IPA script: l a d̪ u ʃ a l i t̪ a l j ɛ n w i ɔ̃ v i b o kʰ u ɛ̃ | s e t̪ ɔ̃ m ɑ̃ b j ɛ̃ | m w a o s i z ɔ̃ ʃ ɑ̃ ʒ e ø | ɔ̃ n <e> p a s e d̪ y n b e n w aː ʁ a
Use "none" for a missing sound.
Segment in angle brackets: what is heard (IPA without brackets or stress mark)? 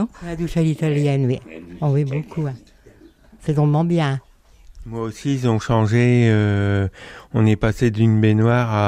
ɛ